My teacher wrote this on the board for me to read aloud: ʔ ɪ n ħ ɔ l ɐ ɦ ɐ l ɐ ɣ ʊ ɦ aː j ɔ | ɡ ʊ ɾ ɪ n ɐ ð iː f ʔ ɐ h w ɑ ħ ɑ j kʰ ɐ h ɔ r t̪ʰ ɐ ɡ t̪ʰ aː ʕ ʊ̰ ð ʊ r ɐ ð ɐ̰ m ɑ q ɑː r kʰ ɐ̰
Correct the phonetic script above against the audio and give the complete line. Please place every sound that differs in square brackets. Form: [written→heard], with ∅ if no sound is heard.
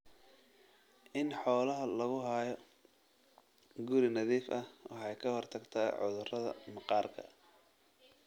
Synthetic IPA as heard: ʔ ɪ n ħ [ɔ→ɔː] l ɐ ɦ ɐ l ɐ ɣ ʊ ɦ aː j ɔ | ɡ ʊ ɾ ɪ n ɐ ð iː f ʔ ɐ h w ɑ ħ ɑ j kʰ ɐ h ɔ r t̪ʰ ɐ ɡ t̪ʰ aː ʕ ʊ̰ ð ʊ r ɐ ð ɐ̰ m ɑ q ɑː r kʰ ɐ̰